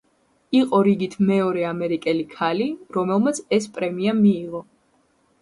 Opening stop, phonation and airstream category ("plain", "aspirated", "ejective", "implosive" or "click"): ejective